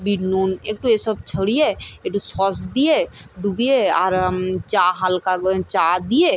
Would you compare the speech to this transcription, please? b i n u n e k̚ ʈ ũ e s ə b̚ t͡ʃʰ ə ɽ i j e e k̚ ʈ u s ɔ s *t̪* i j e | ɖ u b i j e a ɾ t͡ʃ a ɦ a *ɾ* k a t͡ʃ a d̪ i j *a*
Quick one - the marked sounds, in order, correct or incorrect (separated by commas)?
incorrect, incorrect, incorrect